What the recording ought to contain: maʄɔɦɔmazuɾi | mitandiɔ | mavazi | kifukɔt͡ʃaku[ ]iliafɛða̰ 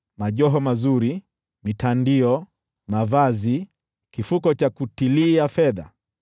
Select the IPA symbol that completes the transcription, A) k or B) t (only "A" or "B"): B